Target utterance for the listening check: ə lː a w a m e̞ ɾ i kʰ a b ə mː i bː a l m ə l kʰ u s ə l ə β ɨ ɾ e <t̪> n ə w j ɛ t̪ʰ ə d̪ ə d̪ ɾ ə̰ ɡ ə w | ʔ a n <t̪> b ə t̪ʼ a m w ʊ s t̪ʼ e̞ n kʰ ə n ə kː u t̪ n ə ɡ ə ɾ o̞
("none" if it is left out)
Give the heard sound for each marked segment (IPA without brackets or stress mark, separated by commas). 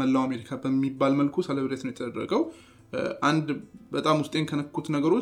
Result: t̪, d̪